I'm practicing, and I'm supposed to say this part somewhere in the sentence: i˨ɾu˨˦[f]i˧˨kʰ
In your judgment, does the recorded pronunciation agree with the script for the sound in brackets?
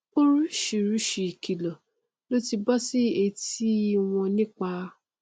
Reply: no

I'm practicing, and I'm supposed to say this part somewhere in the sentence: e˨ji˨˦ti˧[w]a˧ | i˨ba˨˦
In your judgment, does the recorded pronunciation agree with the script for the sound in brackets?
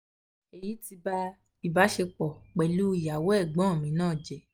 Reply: no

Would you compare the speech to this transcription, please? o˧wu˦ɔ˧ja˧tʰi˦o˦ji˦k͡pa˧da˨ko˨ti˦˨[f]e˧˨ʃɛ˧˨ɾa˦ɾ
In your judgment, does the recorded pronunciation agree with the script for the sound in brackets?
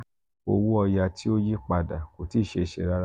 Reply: no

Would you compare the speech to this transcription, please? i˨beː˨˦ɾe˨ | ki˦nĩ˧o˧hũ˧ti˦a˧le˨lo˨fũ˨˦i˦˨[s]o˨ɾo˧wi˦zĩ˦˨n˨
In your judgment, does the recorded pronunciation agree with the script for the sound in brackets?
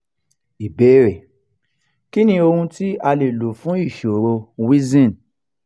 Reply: no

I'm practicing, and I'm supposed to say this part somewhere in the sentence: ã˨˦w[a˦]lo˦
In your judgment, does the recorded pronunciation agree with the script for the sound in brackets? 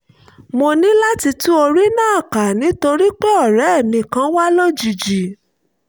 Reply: yes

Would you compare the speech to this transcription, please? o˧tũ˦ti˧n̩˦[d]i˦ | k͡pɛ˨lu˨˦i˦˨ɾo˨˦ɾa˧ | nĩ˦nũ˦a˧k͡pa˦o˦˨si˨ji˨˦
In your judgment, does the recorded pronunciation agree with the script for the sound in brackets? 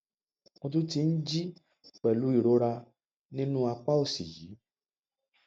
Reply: no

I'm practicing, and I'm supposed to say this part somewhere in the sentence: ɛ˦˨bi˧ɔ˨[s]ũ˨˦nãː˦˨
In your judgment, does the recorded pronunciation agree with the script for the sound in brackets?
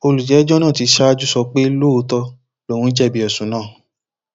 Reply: yes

